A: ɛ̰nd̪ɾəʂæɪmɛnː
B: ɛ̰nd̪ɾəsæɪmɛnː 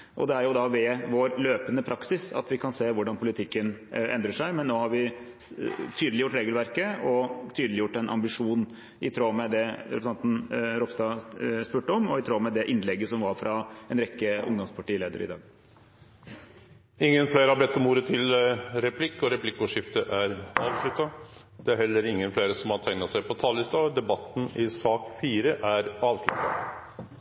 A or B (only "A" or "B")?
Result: A